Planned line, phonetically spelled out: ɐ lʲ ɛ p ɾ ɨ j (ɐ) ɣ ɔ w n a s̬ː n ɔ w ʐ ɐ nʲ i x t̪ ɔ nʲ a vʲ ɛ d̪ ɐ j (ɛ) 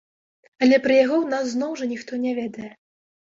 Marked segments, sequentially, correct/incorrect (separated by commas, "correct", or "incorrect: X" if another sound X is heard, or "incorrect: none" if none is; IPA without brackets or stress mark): incorrect: a, correct